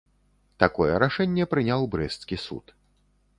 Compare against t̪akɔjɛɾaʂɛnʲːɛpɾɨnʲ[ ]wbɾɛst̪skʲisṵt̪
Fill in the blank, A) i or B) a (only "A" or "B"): B